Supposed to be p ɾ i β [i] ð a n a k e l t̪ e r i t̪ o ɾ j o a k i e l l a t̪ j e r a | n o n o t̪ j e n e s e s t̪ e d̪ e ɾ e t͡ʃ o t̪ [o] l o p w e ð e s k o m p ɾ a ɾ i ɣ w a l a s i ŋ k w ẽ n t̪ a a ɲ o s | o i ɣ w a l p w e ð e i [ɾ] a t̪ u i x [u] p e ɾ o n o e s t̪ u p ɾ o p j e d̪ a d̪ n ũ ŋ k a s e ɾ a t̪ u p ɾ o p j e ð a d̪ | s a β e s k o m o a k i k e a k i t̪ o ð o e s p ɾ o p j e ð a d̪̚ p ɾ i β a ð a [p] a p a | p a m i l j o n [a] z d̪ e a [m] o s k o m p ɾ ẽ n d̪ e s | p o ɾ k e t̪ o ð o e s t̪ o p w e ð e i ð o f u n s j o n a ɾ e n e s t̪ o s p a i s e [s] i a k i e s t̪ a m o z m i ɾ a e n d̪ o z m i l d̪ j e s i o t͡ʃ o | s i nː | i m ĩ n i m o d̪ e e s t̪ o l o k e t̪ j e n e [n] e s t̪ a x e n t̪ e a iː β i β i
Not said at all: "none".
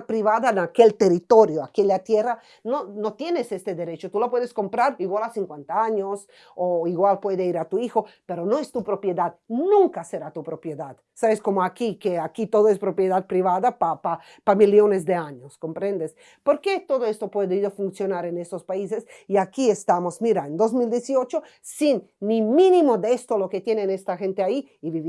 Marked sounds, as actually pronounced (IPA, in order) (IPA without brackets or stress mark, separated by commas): a, u, ɾ, o, p, e, ɲ, s, n